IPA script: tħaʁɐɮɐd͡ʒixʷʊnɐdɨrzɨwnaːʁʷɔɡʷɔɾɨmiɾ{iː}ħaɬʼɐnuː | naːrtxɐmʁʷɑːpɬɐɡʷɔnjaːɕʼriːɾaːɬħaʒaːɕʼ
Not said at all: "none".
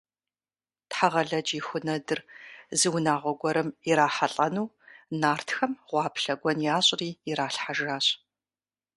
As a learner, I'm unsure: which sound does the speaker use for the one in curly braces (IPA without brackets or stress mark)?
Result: aː